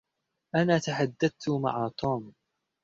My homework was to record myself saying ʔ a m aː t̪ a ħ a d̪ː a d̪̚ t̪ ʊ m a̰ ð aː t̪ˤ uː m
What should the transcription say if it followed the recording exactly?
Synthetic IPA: ʔ a n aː t̪ a ħ a d̪ː a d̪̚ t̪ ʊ m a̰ ʕ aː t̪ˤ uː m